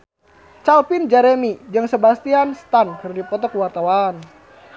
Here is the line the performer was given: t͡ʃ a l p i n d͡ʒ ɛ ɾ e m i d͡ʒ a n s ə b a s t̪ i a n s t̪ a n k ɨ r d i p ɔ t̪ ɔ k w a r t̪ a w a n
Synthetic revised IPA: t͡ʃ a l p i n d͡ʒ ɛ ɾ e m i d͡ʒ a ŋ s ə b a s t̪ i a n s t̪ a n k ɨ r d i p ɔ t̪ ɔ k w a r t̪ a w a n